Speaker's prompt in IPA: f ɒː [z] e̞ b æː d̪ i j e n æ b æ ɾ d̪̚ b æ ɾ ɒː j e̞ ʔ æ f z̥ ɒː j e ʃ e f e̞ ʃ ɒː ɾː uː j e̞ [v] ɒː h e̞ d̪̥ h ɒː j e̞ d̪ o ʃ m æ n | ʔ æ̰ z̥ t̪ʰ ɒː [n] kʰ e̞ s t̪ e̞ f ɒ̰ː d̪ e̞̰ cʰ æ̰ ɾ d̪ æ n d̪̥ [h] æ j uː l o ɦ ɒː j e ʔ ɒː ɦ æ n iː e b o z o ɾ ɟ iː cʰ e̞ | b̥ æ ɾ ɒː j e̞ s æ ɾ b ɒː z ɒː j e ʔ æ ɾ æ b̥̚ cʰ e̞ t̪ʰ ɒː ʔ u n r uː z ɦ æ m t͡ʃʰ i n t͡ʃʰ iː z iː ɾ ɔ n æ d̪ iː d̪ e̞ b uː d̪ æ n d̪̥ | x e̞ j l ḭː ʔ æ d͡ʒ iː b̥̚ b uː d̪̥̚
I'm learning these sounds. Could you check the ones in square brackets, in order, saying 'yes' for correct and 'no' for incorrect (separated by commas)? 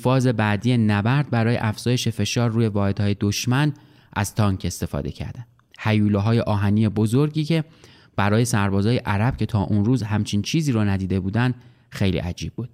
yes, yes, no, yes